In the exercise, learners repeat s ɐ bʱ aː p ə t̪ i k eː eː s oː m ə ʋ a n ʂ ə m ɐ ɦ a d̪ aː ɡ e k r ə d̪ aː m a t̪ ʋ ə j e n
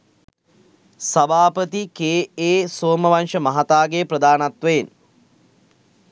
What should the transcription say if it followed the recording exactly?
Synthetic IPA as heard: s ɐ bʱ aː p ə t̪ i k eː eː s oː m ə ʋ a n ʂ ə m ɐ ɦ a t̪ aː ɡ e p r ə d̪ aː n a t̪ ʋ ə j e n